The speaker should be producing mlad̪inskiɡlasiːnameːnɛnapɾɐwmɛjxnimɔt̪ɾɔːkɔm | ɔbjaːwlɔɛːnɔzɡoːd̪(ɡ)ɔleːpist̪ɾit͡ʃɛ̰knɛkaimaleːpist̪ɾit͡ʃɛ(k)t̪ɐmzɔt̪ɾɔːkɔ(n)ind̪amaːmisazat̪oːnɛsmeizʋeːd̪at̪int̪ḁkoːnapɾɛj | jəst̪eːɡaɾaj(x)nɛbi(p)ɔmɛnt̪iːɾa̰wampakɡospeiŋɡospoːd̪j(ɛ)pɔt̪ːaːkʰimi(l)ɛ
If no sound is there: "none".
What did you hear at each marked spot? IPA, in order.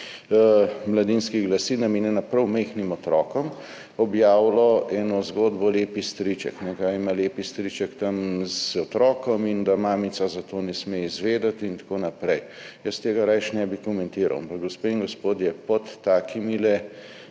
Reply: b, k, m, ʃ, k, ɛ, l

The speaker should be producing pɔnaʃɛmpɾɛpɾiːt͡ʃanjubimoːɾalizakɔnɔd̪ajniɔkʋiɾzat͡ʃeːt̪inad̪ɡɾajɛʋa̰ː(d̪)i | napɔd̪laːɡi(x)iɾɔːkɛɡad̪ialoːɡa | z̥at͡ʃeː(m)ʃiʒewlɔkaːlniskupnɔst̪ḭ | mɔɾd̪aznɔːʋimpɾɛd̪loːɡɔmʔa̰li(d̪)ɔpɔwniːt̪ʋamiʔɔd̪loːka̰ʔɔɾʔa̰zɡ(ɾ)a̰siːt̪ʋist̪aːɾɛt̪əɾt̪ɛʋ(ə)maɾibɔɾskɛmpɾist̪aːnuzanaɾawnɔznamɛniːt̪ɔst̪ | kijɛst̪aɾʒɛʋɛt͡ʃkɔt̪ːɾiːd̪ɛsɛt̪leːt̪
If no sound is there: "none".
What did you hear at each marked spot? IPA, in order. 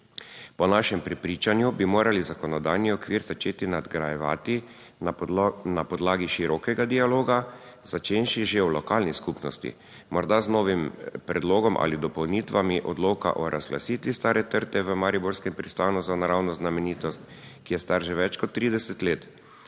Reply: t̪, ʃ, n, d̪, l, ə

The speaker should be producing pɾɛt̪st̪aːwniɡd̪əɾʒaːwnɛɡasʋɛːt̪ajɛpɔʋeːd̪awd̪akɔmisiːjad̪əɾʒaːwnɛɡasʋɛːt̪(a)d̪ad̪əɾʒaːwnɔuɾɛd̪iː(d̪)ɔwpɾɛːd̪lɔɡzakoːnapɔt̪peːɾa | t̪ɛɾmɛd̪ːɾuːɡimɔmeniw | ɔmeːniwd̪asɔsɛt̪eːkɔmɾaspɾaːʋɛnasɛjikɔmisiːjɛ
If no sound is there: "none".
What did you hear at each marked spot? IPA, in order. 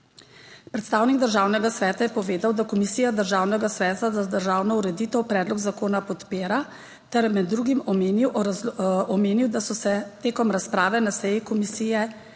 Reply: a, t̪

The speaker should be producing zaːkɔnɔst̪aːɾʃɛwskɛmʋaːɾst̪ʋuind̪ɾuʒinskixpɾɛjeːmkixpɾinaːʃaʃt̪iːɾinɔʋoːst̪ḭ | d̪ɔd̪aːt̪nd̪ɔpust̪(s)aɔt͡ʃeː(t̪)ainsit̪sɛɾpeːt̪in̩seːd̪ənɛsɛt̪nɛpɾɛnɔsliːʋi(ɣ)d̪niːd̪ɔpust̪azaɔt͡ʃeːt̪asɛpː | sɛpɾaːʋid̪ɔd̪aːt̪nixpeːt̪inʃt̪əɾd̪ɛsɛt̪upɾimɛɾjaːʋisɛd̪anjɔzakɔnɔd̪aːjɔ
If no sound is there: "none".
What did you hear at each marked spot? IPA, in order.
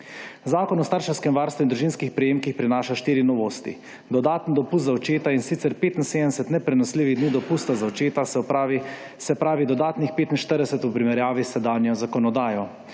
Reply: z, t̪, ɣ

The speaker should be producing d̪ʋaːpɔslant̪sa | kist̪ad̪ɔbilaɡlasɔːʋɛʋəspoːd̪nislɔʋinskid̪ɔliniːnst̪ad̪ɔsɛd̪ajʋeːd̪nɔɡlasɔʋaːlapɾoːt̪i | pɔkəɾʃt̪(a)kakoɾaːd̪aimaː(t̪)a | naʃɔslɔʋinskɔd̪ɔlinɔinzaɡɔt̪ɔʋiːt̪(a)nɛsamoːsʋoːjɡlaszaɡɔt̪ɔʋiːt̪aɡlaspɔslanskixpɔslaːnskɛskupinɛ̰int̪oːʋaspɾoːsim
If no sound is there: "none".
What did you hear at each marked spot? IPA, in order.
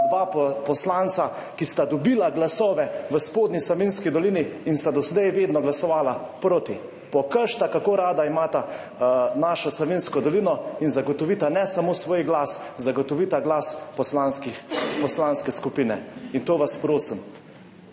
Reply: a, t̪, a

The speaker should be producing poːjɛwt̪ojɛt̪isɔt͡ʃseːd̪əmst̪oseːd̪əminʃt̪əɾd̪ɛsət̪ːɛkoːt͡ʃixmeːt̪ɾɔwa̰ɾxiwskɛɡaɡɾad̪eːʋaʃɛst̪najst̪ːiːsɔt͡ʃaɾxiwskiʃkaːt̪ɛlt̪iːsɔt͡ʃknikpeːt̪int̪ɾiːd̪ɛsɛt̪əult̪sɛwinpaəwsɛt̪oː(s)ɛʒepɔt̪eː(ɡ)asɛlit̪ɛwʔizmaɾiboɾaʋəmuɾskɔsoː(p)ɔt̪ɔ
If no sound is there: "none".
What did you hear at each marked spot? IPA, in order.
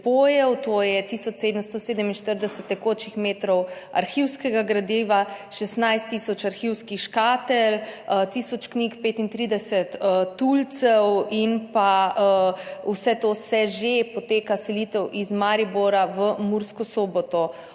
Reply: s, k, b

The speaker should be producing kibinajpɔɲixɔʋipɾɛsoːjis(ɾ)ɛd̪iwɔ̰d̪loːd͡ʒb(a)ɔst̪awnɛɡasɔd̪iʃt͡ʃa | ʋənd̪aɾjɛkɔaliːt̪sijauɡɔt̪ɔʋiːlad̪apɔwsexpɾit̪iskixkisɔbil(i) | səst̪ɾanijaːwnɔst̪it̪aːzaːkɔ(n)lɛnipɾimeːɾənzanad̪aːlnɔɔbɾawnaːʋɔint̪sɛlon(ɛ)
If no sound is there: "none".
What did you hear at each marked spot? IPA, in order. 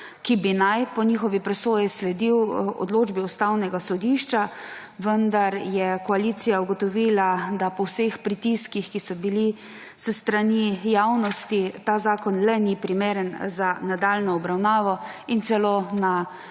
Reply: l, i, i, n, a

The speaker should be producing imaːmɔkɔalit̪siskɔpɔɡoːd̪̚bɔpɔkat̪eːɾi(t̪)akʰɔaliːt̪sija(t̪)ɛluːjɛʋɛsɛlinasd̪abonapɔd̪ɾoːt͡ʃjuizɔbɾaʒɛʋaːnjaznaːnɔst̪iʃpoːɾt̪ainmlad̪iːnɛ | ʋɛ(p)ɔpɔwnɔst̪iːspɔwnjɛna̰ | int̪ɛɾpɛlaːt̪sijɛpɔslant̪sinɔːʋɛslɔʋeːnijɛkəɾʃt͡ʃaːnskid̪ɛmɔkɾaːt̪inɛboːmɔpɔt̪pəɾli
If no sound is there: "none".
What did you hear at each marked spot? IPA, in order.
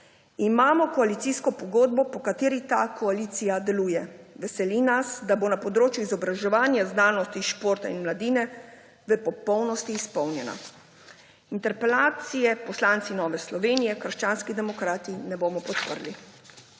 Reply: t̪, d̪, p

